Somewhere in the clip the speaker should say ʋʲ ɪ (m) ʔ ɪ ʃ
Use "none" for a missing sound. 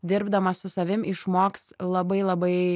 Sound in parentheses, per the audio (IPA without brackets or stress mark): m